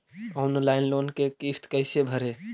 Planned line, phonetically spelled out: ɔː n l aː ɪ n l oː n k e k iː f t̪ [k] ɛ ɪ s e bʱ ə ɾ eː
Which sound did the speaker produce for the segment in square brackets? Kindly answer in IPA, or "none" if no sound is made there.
k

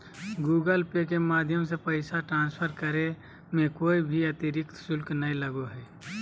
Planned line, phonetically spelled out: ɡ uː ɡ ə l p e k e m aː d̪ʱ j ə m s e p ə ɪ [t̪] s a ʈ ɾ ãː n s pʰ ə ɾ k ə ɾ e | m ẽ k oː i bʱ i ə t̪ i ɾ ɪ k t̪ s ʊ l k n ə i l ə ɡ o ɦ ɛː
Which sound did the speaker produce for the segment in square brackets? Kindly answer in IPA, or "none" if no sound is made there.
none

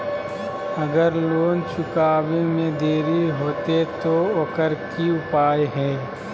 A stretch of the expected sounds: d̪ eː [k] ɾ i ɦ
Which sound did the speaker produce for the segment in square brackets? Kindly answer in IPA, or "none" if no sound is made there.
none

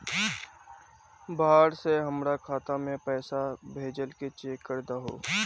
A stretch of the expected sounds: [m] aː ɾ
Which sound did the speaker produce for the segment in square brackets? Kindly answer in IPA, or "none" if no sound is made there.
b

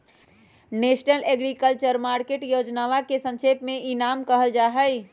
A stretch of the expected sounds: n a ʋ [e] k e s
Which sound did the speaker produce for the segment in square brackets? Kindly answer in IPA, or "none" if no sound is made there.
a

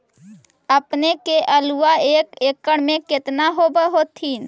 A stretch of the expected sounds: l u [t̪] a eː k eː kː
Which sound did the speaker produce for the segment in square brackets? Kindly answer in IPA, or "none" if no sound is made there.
none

